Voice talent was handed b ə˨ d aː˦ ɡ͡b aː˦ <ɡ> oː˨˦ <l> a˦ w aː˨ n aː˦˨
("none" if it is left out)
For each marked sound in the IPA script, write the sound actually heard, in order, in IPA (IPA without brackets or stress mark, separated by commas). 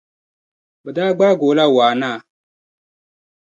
ɡ, l